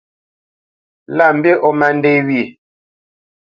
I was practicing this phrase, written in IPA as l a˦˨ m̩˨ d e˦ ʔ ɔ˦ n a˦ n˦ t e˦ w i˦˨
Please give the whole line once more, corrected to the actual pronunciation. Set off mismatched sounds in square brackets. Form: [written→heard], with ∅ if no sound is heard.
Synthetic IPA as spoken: l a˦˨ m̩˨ [d→b] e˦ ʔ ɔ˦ [n→m] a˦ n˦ [t→d] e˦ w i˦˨